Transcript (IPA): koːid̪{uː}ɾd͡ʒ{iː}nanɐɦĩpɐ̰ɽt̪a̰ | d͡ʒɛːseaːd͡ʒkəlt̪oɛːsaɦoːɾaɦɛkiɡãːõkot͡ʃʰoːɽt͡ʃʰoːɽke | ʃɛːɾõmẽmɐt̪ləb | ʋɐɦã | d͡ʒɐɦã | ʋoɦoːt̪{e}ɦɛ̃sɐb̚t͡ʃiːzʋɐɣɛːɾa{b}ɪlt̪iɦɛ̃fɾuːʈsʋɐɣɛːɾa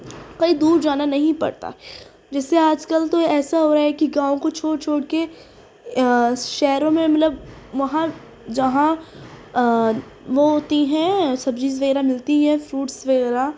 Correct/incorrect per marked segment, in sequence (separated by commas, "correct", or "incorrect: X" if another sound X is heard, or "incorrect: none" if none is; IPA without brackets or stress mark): correct, incorrect: aː, incorrect: i, incorrect: m